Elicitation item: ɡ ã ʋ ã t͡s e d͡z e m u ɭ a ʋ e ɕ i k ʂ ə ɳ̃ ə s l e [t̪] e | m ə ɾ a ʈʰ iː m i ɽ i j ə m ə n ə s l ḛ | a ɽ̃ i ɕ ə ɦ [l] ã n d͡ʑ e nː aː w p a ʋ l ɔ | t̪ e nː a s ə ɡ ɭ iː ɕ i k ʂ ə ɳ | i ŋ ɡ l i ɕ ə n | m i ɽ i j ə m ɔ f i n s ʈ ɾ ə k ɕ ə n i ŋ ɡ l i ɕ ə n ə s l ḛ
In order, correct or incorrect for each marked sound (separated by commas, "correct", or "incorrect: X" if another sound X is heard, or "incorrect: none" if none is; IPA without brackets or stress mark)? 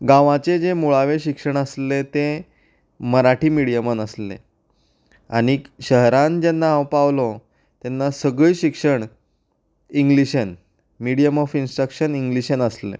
correct, incorrect: ɾ